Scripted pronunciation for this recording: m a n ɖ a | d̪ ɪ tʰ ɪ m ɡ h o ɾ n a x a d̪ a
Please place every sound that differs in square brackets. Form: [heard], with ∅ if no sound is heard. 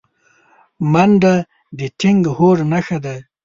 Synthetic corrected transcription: m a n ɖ a | d̪ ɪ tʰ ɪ [ŋ] ɡ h o ɾ n a x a d̪ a